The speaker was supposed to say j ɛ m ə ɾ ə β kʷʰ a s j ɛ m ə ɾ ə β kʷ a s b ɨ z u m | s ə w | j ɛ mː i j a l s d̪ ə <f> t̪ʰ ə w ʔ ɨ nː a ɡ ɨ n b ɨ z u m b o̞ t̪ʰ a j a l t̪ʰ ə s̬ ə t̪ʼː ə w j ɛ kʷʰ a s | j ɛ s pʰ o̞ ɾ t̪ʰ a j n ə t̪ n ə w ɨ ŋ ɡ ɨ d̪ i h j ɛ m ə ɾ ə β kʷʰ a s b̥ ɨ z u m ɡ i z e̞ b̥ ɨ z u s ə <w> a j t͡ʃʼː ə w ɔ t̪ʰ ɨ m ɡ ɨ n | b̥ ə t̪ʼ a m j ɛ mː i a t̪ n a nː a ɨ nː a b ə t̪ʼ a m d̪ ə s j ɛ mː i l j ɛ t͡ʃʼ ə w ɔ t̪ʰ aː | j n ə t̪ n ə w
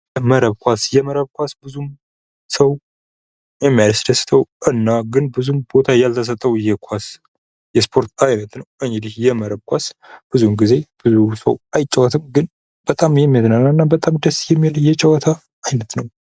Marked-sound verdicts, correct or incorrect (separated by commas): incorrect, correct